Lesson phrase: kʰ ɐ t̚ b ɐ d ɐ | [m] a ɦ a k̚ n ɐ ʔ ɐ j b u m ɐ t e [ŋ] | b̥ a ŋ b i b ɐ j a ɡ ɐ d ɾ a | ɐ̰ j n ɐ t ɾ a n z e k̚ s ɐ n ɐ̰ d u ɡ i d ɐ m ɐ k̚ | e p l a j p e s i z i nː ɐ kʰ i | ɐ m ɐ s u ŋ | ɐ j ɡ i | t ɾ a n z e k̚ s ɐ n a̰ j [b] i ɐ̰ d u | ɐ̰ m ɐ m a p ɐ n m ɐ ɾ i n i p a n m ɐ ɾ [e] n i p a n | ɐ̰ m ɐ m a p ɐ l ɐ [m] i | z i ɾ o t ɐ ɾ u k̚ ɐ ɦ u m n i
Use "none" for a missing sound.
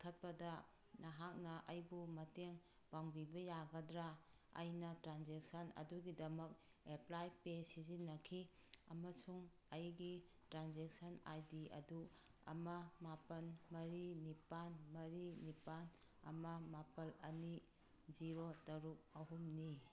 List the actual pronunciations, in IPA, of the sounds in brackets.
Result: n, ŋ, d, i, n

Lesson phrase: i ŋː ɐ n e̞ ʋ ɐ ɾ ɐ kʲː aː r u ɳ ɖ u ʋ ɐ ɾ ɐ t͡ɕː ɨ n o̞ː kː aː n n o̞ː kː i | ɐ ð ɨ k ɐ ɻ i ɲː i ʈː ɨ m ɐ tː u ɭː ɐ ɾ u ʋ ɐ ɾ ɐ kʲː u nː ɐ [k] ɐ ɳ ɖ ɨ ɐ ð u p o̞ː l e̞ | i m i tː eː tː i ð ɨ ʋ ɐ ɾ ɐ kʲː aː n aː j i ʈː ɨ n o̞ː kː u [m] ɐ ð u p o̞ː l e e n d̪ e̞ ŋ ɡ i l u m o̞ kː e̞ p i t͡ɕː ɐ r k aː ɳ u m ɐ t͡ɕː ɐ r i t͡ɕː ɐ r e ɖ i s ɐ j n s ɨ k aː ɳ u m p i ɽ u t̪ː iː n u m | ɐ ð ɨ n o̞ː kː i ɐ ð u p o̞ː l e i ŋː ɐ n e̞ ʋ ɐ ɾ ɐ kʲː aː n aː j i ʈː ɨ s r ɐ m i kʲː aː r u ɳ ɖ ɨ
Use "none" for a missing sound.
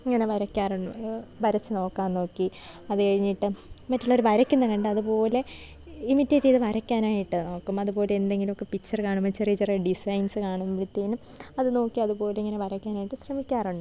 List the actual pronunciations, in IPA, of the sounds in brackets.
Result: k, m

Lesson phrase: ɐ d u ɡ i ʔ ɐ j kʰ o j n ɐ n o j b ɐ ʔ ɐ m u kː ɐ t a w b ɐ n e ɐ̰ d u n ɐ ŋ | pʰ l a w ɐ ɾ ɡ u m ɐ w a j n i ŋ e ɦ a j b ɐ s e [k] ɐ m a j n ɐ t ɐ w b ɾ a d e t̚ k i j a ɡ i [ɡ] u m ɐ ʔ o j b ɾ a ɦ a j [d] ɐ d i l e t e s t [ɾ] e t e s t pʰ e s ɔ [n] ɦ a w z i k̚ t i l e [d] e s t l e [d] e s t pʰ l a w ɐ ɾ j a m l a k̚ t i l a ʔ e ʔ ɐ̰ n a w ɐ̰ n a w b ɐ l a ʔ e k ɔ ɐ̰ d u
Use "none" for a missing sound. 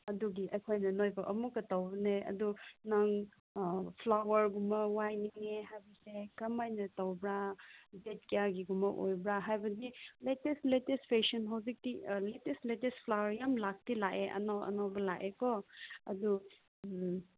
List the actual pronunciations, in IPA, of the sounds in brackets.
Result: k, ɡ, b, l, n, t, t

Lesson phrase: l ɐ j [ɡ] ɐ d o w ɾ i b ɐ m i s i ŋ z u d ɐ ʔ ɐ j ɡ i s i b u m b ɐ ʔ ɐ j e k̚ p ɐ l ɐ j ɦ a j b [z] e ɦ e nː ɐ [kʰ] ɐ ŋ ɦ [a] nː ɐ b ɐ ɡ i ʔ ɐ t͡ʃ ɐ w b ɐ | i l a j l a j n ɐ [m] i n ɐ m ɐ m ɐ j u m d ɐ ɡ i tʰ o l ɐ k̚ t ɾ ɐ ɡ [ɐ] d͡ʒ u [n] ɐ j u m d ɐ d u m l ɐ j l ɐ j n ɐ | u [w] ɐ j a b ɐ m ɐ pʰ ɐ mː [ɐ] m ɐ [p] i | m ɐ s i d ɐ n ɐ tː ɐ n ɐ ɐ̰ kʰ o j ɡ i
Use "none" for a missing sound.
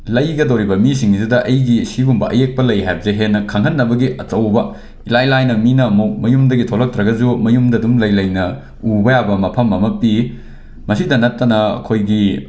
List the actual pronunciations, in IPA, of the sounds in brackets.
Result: ɡ, z, kʰ, ɐ, m, ɐ, m, b, ɐ, p

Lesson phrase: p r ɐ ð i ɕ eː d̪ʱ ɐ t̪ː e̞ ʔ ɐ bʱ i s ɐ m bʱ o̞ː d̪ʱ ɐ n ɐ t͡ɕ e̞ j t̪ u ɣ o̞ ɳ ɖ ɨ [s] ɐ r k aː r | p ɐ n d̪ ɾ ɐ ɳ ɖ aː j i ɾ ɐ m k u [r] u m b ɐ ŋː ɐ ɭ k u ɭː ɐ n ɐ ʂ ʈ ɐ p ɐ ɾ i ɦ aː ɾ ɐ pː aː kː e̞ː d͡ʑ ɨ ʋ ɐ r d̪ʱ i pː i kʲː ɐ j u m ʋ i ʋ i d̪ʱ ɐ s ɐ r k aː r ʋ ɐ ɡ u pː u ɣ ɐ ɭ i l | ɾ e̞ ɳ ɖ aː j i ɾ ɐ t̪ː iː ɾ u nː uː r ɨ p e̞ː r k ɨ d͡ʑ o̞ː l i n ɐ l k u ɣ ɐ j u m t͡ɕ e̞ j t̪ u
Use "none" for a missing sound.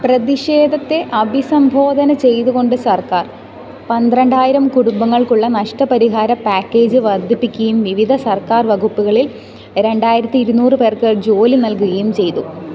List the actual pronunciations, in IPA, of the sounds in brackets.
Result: s, ɽ

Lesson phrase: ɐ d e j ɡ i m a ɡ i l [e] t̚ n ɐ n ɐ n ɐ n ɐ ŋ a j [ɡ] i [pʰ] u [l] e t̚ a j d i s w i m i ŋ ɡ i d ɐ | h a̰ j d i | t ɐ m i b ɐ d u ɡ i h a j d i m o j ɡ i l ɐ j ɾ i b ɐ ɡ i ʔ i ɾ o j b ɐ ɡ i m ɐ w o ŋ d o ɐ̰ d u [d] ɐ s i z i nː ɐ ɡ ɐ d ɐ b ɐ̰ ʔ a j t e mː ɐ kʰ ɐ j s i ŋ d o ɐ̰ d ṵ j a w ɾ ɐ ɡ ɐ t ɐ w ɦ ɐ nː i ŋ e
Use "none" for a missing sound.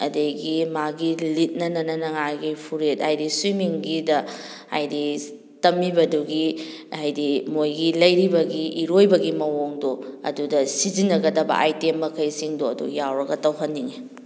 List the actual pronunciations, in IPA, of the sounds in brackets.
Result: i, ɡ, pʰ, ɾ, d

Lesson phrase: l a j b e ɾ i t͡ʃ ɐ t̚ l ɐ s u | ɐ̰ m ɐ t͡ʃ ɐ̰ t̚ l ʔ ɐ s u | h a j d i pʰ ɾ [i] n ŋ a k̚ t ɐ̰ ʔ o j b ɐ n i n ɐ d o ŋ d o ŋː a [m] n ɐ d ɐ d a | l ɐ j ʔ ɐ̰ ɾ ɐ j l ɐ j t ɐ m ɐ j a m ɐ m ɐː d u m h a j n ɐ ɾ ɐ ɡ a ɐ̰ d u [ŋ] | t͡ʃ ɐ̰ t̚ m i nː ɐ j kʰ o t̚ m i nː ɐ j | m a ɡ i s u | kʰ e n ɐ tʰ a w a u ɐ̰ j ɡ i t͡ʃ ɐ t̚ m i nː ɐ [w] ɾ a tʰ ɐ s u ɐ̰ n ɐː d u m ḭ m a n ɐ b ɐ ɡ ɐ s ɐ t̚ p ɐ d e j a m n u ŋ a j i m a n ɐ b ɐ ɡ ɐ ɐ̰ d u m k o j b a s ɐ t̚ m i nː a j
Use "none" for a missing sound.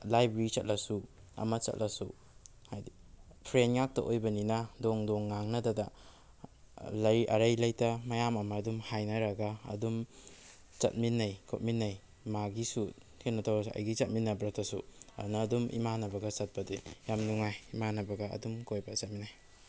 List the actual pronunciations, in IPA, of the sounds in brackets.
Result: e, ŋ, m, b

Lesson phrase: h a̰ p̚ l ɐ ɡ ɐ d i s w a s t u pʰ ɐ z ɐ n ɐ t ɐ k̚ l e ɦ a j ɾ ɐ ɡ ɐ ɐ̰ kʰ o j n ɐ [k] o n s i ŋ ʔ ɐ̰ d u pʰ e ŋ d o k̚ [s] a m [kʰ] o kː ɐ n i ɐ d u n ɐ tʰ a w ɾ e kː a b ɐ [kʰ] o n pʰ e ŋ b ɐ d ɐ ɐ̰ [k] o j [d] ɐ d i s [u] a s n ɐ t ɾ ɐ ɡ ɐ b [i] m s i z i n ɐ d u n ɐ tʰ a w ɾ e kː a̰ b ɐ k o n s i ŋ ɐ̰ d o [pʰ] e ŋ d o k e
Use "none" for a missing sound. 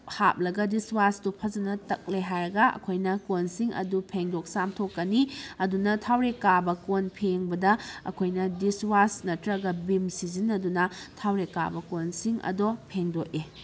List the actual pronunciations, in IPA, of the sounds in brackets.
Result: k, s, tʰ, k, kʰ, n, w, i, pʰ

